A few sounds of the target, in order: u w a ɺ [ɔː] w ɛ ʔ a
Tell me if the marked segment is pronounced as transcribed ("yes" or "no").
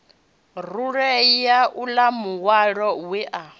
no